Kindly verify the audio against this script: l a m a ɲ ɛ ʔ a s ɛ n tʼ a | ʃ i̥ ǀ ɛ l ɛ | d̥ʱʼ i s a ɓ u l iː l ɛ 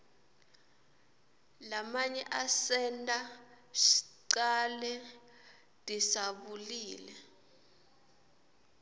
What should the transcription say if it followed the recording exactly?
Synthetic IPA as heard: l a m a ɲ ɛ ʔ a s ɛ n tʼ a | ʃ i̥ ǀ a l ɛ | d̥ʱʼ i s a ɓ u l iː l ɛ